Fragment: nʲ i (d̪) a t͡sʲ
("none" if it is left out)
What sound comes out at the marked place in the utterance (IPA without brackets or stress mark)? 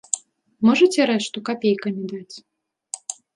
d̪